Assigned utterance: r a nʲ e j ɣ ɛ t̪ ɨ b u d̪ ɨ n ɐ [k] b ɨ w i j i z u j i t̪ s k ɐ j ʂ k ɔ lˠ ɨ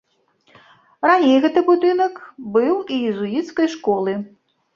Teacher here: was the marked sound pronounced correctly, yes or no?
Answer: yes